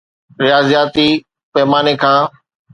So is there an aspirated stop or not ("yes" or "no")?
yes